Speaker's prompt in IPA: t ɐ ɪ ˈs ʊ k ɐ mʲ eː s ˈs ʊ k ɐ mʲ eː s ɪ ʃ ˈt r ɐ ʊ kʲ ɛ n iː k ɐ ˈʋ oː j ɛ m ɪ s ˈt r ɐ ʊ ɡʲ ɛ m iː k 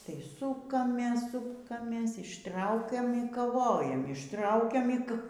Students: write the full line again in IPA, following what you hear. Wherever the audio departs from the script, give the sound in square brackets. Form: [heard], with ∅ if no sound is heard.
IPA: t ɐ ɪ ˈs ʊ k ɐ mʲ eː s ˈs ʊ k ɐ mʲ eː s ɪ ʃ ˈt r ɐ ʊ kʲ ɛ [m] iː k ɐ ˈʋ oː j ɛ m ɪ [ʃ] ˈt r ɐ ʊ [kʲ] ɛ m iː k